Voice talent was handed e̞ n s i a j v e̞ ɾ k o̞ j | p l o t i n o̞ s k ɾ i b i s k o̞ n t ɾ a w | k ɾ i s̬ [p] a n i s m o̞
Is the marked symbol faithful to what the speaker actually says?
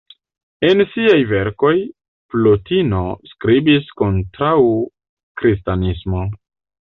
no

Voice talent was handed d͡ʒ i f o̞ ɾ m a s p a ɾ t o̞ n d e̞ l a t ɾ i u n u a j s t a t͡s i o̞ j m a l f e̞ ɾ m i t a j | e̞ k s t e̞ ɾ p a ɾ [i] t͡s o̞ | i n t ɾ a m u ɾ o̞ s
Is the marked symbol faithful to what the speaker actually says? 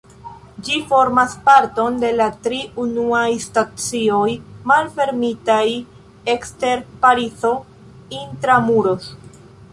yes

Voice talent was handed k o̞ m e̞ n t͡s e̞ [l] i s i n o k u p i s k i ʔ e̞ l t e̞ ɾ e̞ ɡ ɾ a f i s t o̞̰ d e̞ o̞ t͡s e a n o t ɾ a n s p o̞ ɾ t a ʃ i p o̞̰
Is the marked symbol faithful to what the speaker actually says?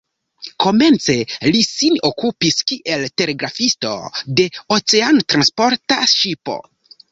yes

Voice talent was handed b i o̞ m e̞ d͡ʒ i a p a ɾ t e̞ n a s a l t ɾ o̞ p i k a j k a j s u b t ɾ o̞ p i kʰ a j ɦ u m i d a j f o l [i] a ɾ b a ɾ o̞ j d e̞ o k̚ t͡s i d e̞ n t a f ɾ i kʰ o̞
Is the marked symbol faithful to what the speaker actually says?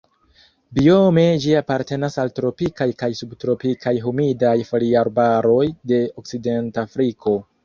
yes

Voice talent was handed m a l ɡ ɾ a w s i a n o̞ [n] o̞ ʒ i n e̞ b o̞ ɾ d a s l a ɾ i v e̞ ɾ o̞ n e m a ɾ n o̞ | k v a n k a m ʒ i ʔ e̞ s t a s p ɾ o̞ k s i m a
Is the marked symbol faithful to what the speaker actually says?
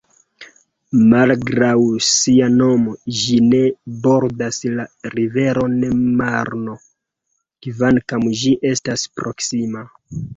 no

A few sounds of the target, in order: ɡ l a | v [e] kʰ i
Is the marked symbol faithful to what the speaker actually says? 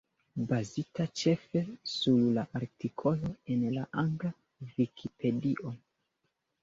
no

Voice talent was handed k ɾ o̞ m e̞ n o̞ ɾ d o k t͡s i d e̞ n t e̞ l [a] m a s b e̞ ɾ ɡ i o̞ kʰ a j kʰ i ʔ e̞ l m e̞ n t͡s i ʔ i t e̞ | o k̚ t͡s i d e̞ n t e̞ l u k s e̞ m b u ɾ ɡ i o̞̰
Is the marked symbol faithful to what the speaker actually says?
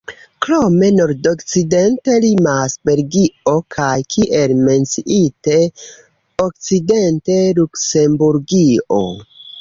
no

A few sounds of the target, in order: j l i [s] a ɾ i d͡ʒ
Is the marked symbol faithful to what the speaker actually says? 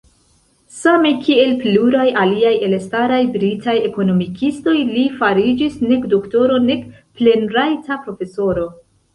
no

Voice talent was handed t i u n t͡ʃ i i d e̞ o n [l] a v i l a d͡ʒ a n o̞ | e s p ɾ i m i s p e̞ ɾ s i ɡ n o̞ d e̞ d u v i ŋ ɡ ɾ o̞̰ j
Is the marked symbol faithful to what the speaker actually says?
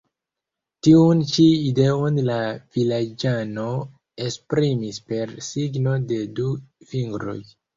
yes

